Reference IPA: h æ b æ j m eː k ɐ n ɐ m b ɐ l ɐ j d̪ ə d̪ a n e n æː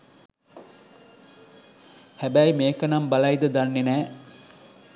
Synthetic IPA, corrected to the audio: h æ b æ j m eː k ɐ n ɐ m b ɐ l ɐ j d̪ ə d̪ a nː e n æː